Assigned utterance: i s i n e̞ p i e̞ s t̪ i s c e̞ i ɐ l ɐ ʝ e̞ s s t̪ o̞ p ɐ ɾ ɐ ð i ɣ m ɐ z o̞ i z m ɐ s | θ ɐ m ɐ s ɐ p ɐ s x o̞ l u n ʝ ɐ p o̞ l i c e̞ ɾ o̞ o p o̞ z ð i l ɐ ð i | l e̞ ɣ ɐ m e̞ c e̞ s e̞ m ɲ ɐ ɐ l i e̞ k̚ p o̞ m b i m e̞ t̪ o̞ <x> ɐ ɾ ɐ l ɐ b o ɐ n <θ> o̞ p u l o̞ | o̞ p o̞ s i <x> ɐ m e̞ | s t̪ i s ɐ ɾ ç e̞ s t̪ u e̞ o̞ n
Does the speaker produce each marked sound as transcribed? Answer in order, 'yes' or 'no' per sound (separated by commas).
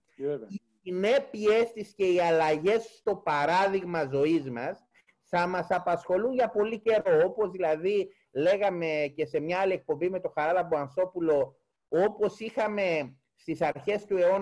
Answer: yes, yes, yes